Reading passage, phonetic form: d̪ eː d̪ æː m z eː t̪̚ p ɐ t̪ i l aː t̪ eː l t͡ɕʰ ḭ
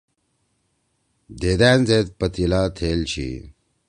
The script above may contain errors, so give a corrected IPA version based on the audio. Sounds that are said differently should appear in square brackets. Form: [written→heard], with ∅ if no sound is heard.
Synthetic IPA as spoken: d̪ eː d̪ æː [m→n] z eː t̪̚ p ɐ t̪ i l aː [t̪→t̪ʰ] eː l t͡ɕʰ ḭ